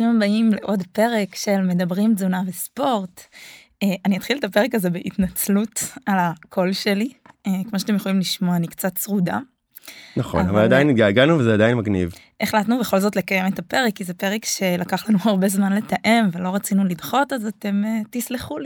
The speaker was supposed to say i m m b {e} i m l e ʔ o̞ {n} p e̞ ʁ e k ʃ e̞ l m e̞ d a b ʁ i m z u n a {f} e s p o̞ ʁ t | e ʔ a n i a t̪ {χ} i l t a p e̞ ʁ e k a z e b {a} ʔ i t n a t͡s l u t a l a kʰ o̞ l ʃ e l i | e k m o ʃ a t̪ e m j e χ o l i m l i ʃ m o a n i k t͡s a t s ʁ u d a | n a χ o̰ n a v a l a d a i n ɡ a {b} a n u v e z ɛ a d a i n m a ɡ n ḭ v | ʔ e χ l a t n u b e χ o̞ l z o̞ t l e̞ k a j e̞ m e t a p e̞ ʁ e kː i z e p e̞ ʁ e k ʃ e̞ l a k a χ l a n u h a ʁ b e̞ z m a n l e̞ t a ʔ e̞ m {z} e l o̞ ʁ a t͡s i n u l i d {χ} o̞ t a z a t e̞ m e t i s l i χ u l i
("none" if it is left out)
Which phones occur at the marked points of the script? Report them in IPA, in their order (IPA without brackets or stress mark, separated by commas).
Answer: a, d, v, χ, e, ɡ, v, χ